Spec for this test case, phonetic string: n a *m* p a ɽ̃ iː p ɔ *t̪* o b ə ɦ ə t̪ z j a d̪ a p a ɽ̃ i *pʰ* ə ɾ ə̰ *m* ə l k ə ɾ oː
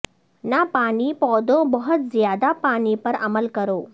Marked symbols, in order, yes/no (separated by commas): no, no, no, yes